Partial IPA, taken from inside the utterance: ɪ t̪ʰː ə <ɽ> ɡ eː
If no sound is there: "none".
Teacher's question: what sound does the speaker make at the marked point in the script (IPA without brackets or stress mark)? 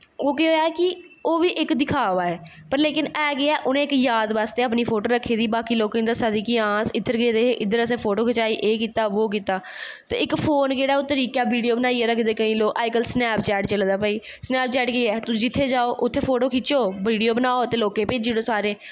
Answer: ɾ